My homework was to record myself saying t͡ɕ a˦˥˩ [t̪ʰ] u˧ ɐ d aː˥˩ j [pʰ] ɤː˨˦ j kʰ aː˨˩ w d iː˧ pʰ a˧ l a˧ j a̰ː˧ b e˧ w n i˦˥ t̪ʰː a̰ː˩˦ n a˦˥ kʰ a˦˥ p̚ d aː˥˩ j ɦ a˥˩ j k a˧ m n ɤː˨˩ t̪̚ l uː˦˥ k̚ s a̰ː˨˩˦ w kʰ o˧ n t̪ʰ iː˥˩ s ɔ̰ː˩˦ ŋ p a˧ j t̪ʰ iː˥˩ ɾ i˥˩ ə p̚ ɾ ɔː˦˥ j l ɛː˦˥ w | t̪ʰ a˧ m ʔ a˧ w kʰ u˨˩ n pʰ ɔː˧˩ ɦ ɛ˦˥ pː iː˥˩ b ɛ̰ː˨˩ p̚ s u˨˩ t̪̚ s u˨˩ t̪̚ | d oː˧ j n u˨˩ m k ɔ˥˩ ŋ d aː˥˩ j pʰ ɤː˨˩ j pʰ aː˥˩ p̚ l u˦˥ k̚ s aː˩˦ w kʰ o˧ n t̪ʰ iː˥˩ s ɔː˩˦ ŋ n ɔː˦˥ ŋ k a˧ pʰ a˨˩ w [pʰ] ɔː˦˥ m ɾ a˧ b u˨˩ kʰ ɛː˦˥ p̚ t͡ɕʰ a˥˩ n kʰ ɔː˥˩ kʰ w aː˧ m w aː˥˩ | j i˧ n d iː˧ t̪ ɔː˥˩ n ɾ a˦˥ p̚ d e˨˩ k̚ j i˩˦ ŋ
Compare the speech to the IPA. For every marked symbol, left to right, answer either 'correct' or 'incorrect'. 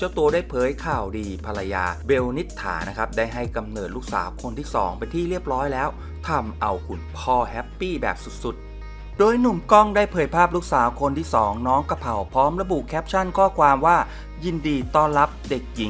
incorrect, correct, correct

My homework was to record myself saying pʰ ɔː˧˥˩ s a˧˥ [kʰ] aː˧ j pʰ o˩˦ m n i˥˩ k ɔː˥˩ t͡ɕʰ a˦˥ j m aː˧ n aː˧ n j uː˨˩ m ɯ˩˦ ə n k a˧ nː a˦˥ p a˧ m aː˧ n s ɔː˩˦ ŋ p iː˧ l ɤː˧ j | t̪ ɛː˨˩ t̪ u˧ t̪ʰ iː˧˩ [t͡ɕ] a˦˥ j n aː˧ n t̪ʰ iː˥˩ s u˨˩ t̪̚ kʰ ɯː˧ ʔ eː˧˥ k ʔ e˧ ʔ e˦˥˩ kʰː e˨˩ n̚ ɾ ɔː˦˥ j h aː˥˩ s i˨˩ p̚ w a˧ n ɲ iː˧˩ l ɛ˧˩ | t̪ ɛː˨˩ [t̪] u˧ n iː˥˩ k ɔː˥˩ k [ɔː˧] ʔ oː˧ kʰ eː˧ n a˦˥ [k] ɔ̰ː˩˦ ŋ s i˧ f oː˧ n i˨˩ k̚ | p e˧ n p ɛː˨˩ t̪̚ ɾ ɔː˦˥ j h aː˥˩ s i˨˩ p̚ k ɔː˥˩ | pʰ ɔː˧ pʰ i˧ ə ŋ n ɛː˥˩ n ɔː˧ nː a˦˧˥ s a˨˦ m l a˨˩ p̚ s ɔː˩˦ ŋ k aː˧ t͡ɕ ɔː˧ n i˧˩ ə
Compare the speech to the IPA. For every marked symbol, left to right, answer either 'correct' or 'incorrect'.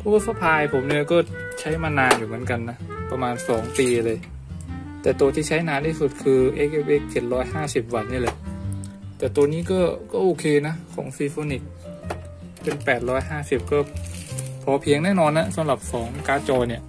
incorrect, incorrect, correct, incorrect, incorrect

